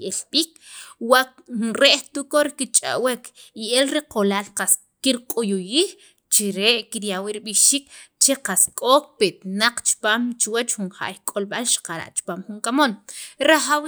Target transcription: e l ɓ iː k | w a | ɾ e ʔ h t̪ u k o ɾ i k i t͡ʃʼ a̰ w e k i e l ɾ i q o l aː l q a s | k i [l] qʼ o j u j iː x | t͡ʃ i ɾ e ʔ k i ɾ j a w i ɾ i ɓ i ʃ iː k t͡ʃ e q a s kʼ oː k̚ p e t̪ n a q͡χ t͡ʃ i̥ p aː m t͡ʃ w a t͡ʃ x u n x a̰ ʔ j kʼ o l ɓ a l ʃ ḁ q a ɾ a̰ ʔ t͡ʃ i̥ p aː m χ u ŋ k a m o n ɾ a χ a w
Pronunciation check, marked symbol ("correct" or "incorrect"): incorrect